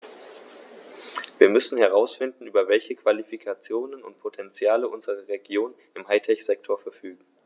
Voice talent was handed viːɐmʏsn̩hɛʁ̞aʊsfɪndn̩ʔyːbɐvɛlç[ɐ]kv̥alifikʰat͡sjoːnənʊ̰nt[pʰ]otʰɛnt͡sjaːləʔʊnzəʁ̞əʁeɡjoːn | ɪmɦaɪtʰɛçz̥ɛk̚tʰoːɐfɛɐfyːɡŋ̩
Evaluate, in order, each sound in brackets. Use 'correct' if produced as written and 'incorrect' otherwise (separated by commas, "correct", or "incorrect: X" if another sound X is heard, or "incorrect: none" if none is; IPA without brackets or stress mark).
incorrect: ə, correct